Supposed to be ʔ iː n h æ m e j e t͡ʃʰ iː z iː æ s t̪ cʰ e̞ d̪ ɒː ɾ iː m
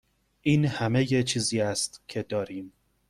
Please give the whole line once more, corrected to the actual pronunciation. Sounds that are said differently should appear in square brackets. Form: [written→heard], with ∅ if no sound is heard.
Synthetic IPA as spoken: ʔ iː n h æ m e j e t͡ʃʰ iː z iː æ s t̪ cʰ e̞ d̪ ɒː ɾ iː m